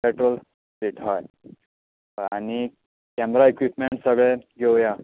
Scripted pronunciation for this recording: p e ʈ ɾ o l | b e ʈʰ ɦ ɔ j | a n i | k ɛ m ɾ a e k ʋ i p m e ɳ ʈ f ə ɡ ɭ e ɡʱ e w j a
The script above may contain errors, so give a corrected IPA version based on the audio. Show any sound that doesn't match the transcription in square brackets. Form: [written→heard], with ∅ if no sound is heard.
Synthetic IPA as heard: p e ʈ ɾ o l | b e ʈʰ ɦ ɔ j | a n i | k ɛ m ɾ a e k ʋ i p m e ɳ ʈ [f→s] ə ɡ ɭ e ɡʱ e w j a